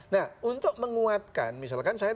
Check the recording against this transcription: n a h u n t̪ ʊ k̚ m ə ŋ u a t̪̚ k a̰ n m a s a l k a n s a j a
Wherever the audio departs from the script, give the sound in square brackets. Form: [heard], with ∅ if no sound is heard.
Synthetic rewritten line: n a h u n t̪ ʊ k̚ m ə ŋ u a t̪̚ k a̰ n m [i] s a l k a n s a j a